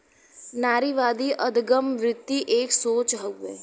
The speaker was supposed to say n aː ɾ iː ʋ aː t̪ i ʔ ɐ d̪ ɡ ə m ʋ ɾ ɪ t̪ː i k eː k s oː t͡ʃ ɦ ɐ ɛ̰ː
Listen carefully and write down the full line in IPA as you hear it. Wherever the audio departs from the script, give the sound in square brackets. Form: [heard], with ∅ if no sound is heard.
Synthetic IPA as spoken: n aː ɾ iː ʋ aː [d̪] i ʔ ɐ d̪ ɡ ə m ʋ ɾ ɪ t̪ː i [ʔ] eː k s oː t͡ʃ ɦ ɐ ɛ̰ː

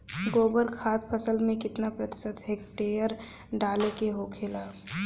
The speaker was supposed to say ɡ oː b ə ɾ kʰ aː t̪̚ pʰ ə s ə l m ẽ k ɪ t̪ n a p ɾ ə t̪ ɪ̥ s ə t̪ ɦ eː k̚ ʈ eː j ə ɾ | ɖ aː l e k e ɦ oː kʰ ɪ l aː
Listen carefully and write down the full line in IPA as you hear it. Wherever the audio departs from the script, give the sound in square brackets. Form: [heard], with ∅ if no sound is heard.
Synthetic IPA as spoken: ɡ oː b ə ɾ kʰ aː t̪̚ pʰ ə s ə l m ẽ k ɪ t̪ n a p ɾ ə t̪ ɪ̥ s ə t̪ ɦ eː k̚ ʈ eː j ə ɾ | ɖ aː l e k e ɦ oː kʰ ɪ l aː

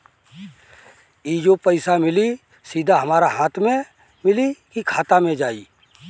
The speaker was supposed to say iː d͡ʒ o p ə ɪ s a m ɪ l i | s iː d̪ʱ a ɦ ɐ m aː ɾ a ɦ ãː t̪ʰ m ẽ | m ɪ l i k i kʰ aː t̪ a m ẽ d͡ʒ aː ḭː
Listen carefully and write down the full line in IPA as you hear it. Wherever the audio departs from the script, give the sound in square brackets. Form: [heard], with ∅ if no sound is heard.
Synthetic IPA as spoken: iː d͡ʒ o p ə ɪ s a m ɪ l i | s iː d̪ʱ a ɦ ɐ m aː ɾ a ɦ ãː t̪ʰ m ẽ | m ɪ l i k i kʰ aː t̪ a m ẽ d͡ʒ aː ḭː

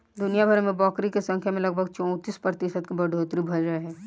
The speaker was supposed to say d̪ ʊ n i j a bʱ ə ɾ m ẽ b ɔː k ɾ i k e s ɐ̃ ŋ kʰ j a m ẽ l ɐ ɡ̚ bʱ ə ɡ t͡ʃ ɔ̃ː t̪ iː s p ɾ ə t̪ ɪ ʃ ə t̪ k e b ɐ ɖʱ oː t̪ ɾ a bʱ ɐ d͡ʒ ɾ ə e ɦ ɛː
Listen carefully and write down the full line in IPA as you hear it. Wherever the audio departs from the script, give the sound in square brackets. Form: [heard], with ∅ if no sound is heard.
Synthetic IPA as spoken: d̪ ʊ n i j a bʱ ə ɾ m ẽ b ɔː k ɾ i k e s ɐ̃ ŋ kʰ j a m ẽ l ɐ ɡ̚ bʱ ə ɡ t͡ʃ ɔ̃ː t̪ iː s p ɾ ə t̪ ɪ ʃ ə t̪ k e b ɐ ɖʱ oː t̪ ɾ [i] bʱ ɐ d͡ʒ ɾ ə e ɦ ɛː

